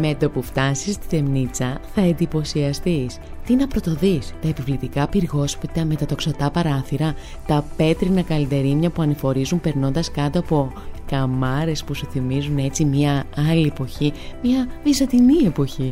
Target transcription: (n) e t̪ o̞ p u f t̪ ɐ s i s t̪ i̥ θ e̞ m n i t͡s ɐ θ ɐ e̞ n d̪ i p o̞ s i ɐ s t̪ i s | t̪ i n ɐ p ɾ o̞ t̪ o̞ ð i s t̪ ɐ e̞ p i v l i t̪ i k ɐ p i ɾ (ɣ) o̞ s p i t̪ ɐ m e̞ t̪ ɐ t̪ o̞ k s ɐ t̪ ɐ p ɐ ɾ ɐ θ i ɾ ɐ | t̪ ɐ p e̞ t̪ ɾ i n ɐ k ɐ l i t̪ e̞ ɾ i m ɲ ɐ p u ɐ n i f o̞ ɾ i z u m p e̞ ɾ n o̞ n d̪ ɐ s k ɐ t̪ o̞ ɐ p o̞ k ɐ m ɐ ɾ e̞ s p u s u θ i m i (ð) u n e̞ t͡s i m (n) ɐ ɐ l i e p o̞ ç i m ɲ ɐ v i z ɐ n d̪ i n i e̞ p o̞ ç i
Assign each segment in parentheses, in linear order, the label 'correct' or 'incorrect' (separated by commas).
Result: incorrect, correct, incorrect, incorrect